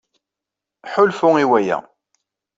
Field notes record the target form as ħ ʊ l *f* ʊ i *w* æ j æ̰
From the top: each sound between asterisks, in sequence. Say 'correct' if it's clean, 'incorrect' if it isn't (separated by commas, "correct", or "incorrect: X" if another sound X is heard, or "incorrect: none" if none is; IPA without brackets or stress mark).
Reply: correct, correct